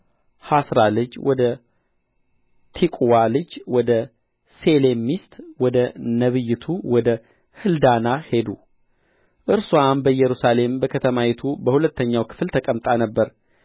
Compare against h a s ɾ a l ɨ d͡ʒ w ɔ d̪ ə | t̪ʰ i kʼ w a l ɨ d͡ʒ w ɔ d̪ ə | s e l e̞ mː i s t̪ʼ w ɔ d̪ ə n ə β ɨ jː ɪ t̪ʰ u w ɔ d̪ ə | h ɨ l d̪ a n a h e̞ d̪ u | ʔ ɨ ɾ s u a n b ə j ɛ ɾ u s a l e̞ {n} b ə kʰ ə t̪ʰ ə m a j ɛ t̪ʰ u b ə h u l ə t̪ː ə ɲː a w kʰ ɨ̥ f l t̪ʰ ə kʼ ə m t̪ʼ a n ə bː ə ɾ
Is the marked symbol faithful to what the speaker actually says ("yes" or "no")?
no